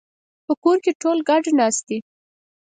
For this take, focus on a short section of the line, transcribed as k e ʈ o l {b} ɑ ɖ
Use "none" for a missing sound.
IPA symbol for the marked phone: ɡ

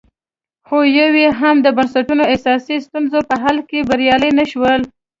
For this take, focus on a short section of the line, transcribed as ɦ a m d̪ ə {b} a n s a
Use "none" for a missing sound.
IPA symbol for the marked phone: b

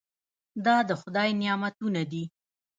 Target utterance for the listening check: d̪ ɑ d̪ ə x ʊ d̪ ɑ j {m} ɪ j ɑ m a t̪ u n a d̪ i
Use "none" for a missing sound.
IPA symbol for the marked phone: n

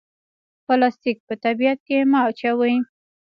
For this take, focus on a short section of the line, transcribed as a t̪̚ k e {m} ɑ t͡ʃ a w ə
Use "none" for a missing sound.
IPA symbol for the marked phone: m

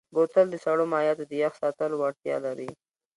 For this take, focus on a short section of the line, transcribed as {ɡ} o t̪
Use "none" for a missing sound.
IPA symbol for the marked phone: b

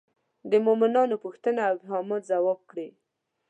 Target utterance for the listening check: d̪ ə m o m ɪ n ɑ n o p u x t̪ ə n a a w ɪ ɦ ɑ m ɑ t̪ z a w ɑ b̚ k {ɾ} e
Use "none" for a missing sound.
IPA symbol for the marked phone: ɽ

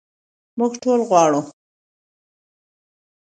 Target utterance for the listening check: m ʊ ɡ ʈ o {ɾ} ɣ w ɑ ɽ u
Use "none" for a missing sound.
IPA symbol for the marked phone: l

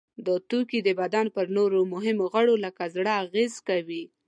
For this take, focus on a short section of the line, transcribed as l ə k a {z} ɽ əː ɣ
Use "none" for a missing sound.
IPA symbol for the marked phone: z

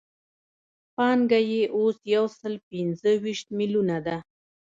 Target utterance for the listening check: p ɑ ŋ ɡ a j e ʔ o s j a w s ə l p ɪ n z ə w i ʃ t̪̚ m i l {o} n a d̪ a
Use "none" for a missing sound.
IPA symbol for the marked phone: u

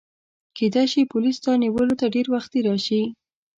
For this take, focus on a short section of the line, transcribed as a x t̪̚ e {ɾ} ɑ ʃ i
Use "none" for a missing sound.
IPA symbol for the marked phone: ɾ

